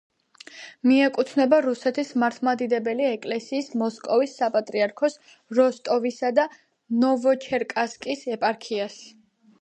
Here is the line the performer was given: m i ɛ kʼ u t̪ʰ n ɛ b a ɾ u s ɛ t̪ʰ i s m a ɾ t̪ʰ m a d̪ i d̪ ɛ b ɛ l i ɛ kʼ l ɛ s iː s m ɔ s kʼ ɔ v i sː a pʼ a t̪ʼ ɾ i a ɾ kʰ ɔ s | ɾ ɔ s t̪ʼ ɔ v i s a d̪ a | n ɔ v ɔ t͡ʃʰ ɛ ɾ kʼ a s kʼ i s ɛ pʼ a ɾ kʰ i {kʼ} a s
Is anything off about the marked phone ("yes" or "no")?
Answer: yes